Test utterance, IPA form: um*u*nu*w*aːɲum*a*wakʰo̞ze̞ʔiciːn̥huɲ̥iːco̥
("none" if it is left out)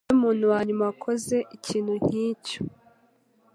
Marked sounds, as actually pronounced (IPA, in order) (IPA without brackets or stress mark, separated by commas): uː, w, a